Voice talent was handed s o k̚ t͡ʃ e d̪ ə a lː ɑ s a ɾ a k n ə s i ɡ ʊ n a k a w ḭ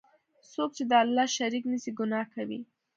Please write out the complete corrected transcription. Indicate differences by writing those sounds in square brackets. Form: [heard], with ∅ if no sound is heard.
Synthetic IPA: s o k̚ t͡ʃ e d̪ ə a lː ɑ [ʃ] a ɾ [i] k n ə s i ɡ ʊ n [ɑ] k a w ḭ